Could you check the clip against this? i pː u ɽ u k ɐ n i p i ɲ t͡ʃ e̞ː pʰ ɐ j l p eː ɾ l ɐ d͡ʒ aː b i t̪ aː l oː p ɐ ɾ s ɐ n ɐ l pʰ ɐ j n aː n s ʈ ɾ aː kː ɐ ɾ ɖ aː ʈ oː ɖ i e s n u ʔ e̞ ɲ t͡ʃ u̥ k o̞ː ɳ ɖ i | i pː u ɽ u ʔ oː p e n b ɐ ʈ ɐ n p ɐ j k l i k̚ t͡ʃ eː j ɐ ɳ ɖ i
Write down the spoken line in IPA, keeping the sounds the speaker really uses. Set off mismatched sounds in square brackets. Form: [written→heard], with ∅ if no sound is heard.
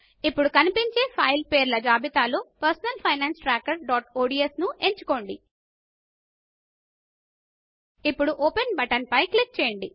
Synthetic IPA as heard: i pː u ɽ u k ɐ n i p i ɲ t͡ʃ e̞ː pʰ ɐ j l p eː ɾ l ɐ d͡ʒ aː b i t̪ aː l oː p ɐ ɾ s ɐ n ɐ l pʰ ɐ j n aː n s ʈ ɾ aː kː ɐ ɾ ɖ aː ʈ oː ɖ i e s n u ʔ e̞ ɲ t͡ʃ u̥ k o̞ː ɳ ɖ i | i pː u ɽ u ʔ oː p e n b ɐ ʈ ɐ n p ɐ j k l i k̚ t͡ʃ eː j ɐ ɳ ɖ i